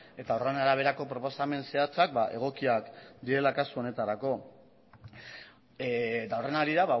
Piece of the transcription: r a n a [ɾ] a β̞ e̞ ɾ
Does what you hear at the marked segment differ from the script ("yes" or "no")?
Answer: no